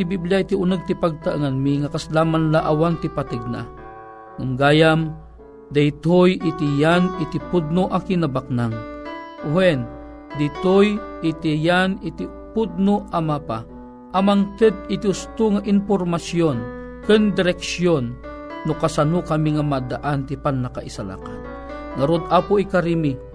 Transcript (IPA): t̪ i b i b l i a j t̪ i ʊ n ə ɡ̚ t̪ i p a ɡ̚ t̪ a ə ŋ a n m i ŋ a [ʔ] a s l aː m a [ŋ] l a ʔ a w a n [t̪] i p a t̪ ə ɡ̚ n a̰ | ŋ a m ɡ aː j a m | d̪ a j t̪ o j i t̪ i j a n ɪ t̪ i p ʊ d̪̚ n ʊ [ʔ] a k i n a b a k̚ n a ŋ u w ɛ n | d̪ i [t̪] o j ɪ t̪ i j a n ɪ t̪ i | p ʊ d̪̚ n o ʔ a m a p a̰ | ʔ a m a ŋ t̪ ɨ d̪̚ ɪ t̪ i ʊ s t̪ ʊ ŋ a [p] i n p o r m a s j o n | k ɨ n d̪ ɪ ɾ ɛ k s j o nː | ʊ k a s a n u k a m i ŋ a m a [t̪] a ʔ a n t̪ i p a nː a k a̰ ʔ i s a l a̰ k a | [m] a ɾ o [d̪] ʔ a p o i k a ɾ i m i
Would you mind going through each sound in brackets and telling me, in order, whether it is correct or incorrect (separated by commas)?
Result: incorrect, incorrect, correct, correct, correct, incorrect, incorrect, incorrect, correct